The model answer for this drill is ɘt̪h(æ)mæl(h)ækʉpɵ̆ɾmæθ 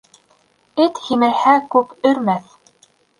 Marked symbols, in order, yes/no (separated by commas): no, yes